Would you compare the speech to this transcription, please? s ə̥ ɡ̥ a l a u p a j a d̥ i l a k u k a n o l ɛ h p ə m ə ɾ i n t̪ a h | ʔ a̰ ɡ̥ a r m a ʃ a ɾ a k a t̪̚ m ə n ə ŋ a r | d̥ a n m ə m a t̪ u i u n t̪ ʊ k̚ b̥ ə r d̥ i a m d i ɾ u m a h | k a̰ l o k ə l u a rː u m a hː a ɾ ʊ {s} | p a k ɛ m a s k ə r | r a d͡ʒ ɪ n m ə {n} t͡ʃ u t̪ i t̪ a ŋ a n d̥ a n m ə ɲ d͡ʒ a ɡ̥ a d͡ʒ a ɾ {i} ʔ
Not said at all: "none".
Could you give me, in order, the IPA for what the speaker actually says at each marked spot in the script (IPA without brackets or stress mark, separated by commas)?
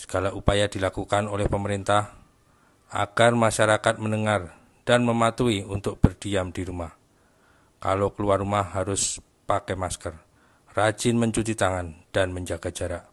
s, ɲ, a